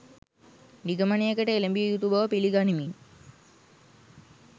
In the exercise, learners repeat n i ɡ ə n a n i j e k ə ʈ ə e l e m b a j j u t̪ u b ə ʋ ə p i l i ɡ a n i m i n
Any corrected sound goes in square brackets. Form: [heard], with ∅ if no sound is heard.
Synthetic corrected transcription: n i ɡ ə [m] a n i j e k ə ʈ ə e l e m b [i] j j u t̪ u b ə ʋ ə p i l i ɡ a n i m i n

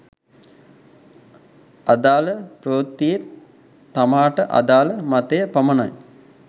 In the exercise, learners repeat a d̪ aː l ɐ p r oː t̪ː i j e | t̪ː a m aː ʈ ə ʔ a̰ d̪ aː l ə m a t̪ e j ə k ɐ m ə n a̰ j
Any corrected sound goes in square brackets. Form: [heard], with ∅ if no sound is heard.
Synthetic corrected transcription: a d̪ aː l [ə] p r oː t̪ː i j e | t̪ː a m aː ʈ ə ʔ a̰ d̪ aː l ə m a t̪ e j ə [p] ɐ m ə n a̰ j

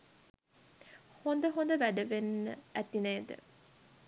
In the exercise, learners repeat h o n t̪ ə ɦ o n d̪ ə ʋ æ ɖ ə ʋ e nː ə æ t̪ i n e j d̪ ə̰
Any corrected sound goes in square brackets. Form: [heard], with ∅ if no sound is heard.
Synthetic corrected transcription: h o n [d̪] ə ɦ o n d̪ ə ʋ æ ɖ ə ʋ e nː ə æ t̪ i n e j d̪ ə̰

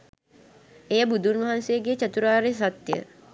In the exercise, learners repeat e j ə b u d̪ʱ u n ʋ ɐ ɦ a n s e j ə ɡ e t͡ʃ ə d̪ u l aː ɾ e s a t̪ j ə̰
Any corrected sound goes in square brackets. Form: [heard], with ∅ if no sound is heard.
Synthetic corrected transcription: e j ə b u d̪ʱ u n ʋ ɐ ɦ a n s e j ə ɡ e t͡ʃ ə [t̪] u [ɾ] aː ɾ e s a t̪ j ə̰

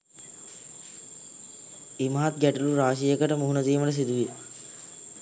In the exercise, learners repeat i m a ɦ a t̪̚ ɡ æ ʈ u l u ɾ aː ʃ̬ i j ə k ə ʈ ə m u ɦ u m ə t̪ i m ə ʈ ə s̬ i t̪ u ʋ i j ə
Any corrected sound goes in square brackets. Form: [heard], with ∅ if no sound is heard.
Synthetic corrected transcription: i m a ɦ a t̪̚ ɡ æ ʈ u l u ɾ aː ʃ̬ i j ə k ə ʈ ə m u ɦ u [n] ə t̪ [iː] m ə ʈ ə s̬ i [d̪] u ʋ i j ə

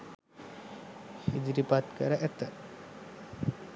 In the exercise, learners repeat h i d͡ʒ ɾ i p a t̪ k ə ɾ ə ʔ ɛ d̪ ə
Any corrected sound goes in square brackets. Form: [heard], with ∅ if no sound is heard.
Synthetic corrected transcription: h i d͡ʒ ɾ i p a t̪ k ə ɾ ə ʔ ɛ [t̪] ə

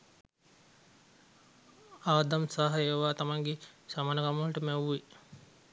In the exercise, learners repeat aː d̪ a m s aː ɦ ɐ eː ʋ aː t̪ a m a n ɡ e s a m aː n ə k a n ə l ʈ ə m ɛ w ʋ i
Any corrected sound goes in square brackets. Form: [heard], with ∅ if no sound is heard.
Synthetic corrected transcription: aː d̪ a m s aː ɦ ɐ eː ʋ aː t̪ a m a [ŋ] ɡ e s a m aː n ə k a [m] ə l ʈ ə m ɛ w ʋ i

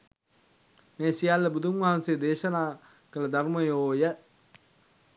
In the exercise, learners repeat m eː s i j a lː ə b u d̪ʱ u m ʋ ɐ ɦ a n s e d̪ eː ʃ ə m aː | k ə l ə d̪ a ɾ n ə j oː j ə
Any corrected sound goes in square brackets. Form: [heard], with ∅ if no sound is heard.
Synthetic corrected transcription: m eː s i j a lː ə b u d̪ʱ u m ʋ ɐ ɦ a n s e d̪ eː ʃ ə [n] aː | k ə l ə d̪ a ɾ [m] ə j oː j ə

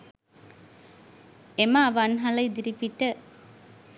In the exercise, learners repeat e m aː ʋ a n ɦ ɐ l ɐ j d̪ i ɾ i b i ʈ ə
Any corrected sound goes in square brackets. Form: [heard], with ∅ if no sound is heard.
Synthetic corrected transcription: e m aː ʋ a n ɦ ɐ l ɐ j d̪ i ɾ i [p] i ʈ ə

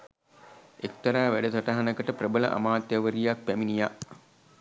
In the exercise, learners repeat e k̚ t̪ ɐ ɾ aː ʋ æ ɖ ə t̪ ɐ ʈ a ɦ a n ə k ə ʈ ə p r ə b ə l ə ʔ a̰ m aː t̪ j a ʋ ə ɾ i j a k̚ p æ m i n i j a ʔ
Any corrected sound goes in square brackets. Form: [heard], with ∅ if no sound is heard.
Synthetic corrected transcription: e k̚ t̪ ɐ ɾ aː ʋ æ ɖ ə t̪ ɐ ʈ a ɦ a n ə k ə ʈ ə p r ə b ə l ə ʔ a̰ m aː t̪ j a ʋ ə ɾ i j a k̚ p æ m i n i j a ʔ

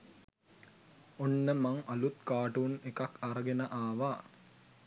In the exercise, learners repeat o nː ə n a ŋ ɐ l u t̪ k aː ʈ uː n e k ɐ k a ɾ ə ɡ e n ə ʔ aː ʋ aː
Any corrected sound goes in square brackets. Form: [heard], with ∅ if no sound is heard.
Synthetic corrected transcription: o nː ə [m] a ŋ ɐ l u t̪ k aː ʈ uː n e k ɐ k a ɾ ə ɡ e n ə ʔ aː ʋ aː

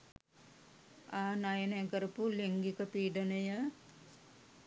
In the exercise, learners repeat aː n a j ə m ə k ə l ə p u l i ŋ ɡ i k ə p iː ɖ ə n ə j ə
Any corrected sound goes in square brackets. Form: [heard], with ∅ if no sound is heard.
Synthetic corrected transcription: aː n a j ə [n] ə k ə [ɾ] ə p u l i ŋ ɡ i k ə p iː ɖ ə n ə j ə

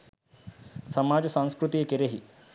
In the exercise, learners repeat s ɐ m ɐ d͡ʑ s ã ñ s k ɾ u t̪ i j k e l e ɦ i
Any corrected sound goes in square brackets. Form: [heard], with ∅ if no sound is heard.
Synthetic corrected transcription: s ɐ m [a] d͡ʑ s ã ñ s k ɾ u t̪ i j k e [ɾ] e ɦ i

